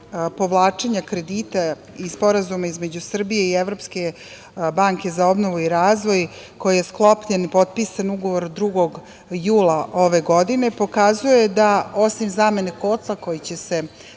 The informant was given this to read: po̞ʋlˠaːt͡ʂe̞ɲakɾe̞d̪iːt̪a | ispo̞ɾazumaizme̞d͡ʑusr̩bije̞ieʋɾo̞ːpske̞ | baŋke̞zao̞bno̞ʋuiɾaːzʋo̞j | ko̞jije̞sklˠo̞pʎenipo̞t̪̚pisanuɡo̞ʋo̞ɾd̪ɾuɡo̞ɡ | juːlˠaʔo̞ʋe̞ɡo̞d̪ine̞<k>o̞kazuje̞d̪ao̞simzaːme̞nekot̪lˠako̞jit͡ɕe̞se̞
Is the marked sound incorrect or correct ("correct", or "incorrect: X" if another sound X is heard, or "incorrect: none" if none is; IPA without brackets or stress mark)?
incorrect: p